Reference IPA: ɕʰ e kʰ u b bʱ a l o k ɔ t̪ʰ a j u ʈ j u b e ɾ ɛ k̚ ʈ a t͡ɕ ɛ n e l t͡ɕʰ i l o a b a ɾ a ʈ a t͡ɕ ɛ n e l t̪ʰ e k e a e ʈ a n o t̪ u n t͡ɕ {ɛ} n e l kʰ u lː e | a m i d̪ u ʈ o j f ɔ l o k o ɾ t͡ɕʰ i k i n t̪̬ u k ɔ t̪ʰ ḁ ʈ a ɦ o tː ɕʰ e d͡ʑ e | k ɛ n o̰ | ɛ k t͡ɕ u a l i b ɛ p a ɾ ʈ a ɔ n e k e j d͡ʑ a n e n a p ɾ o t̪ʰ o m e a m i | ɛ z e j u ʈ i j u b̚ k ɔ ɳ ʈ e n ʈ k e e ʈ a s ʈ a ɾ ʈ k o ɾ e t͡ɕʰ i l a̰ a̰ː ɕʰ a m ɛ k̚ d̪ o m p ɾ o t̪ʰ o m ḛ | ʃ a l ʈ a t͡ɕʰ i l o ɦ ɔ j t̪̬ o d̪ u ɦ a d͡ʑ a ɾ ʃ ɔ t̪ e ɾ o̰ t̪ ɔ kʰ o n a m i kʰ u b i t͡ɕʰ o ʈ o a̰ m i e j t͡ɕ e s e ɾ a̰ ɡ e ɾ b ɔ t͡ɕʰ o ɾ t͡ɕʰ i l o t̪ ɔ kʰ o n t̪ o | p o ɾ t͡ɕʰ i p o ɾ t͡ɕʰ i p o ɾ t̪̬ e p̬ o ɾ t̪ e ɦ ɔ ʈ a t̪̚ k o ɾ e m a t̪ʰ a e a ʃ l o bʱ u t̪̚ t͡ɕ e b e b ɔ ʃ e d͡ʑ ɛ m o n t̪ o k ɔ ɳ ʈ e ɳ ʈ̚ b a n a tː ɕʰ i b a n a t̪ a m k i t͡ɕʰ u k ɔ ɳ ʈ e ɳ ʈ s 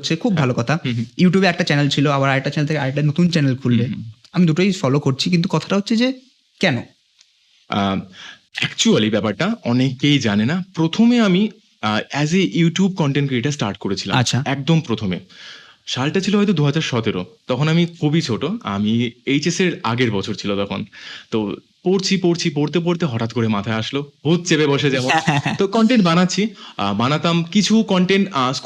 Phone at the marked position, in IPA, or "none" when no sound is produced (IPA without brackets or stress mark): ɛ